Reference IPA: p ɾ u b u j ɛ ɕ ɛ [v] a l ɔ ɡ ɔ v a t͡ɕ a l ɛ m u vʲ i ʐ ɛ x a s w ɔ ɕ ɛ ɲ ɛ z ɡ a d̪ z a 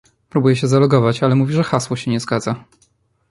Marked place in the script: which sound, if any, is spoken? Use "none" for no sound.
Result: z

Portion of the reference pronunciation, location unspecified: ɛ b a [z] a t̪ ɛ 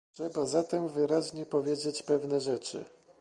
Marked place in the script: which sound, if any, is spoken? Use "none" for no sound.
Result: z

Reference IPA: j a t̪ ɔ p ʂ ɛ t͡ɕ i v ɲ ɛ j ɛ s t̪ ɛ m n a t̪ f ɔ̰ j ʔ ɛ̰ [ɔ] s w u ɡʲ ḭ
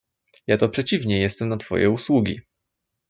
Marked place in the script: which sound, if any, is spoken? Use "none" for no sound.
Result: u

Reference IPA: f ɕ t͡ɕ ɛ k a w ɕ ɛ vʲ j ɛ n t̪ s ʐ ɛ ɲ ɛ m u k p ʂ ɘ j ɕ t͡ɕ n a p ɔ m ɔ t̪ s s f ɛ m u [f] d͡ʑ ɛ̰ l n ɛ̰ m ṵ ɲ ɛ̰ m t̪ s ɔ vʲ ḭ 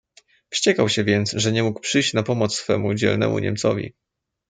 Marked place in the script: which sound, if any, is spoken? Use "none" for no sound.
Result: none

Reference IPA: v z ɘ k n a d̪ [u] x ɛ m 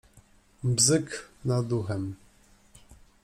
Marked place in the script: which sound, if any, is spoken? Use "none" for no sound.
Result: u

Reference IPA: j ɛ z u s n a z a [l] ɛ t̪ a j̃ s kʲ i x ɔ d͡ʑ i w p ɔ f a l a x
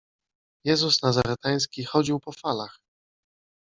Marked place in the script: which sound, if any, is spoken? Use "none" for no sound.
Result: ɾ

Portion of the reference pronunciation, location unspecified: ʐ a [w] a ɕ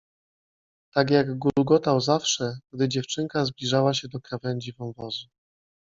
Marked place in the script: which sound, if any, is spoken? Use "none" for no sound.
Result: w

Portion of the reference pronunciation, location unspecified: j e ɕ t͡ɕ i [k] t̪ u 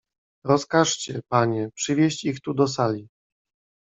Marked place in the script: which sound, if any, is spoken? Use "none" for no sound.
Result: x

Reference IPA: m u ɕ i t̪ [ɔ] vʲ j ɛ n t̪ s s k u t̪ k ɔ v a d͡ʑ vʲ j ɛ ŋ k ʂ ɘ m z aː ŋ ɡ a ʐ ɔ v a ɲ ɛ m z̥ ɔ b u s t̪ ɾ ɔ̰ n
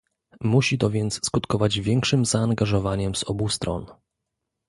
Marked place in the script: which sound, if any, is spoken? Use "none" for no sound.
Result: ɔ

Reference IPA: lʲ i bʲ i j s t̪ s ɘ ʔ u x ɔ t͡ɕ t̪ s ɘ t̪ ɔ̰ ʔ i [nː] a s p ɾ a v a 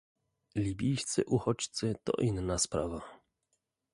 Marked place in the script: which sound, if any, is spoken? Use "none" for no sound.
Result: nː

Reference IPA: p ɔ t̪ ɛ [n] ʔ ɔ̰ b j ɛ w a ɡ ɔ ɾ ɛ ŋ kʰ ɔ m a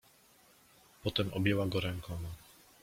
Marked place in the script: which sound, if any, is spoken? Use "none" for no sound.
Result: m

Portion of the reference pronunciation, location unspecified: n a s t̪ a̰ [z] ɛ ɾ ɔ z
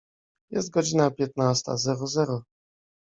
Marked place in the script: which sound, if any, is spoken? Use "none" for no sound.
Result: z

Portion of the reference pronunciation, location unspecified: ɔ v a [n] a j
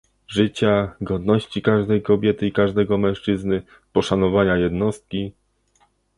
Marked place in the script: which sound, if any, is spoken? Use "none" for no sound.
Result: ɲ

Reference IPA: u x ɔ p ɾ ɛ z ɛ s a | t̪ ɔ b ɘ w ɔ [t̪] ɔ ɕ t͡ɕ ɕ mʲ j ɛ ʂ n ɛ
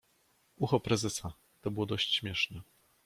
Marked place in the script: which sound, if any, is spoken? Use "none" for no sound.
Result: d̪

